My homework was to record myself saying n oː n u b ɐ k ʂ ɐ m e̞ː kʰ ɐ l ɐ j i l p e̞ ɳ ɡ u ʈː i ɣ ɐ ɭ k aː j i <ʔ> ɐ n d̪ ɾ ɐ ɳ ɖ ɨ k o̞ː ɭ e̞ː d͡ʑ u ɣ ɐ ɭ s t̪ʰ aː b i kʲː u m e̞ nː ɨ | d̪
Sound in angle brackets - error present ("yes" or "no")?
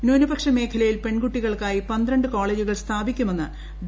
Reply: yes